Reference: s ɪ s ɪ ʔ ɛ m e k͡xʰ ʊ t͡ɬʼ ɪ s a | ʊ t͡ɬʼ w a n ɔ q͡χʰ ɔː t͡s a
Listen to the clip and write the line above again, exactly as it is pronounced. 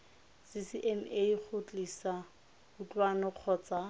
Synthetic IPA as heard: s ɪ s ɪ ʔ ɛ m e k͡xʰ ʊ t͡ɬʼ i s a | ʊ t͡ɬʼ w a n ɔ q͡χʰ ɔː t͡s a